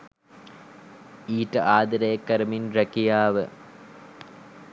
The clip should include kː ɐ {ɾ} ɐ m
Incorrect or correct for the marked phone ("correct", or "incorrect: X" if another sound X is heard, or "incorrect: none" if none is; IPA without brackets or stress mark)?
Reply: correct